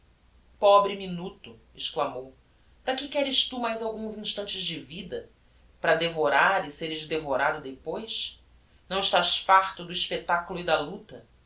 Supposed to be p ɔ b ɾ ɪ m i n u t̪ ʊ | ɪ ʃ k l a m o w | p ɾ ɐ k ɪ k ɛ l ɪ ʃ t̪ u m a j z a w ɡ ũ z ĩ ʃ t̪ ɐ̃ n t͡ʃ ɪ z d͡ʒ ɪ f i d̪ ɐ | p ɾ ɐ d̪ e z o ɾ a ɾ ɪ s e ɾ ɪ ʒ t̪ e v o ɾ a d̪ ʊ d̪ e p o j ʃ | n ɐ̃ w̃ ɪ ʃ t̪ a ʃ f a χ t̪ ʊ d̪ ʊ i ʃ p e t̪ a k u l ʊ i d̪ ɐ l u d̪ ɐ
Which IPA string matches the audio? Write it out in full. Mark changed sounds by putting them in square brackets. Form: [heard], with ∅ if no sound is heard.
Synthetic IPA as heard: p ɔ b ɾ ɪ m i n u t̪ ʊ | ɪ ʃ k l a m o w | p ɾ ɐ k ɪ k ɛ [ɾ] ɪ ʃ t̪ u m a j z a w ɡ ũ z ĩ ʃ t̪ ɐ̃ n t͡ʃ ɪ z d͡ʒ ɪ [v] i d̪ ɐ | p ɾ ɐ d̪ e [v] o ɾ a ɾ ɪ s e ɾ ɪ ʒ [d̪] e v o ɾ a d̪ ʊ d̪ e p o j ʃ | n ɐ̃ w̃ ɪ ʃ t̪ a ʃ f a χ t̪ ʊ d̪ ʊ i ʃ p e t̪ a k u l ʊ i d̪ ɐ l u [t̪] ɐ